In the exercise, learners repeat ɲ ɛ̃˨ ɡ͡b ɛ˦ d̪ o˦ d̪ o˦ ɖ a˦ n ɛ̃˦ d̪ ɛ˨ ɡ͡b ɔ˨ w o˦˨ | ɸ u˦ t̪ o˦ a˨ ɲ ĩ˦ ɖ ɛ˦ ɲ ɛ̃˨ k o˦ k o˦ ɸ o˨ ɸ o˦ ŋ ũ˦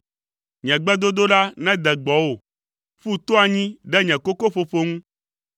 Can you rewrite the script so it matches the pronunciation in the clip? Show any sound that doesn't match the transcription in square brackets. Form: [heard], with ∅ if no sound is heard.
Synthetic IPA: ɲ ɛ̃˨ ɡ͡b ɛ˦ d̪ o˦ d̪ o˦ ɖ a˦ n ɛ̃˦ d̪ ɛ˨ ɡ͡b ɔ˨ w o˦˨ | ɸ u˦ t̪ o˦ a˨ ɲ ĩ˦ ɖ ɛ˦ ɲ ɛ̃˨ k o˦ k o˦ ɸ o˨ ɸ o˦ ŋ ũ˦